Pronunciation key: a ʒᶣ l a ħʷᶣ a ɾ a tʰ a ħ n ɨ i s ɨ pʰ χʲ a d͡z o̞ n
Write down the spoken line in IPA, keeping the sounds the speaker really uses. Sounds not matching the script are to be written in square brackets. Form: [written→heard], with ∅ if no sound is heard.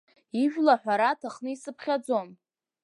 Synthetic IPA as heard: [a→i] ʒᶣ l a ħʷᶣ a ɾ a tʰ a [ħ→χ] n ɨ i s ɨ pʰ χʲ a d͡z o̞ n